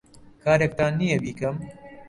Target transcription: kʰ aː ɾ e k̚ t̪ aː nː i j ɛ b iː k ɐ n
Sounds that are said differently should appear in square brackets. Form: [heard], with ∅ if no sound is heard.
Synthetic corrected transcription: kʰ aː ɾ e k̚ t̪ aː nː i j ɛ b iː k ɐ [m]